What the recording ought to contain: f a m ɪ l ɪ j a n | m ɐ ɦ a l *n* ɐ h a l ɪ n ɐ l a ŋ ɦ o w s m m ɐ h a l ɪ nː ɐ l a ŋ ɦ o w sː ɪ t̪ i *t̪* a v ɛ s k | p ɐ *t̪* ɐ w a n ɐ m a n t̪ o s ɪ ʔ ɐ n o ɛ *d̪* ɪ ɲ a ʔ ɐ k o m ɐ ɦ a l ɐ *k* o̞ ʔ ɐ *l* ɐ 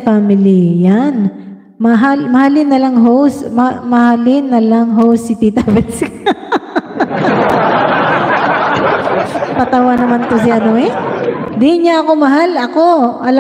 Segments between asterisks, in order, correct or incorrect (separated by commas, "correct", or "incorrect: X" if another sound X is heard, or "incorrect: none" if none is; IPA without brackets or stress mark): incorrect: m, correct, correct, correct, correct, correct